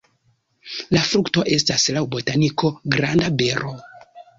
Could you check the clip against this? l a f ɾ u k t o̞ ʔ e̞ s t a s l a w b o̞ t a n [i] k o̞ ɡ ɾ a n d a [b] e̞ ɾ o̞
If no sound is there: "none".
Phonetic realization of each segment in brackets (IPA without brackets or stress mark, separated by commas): i, b